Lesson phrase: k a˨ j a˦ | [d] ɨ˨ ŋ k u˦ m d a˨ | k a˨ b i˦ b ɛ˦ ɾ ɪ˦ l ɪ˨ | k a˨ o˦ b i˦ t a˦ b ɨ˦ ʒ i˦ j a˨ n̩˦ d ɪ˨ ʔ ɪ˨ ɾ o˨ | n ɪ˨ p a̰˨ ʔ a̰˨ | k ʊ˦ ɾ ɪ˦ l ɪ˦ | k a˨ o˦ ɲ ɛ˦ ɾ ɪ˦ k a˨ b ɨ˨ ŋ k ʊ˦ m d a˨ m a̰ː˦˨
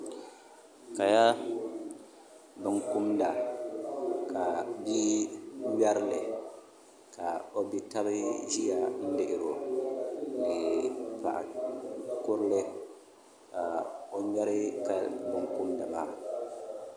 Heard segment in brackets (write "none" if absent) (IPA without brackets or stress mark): b